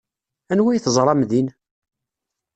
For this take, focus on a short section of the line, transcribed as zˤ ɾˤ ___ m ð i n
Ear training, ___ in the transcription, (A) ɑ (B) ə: A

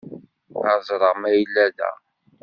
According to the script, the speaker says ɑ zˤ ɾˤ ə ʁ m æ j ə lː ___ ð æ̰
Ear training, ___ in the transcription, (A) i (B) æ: B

